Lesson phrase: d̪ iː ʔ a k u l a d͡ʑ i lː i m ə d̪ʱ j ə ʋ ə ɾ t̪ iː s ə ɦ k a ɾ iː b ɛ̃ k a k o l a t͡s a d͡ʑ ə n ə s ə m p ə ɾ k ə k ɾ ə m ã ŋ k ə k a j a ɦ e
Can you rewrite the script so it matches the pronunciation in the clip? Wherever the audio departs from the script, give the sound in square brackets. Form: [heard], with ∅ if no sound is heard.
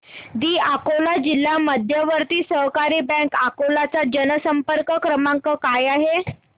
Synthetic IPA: d̪ iː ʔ a k [o] l a d͡ʑ i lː [a] m ə d̪ʱ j ə ʋ ə ɾ t̪ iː s ə ɦ k a ɾ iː b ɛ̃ k a k o l a t͡s a d͡ʑ ə n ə s ə m p ə ɾ k ə k ɾ ə m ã ŋ k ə k a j a ɦ e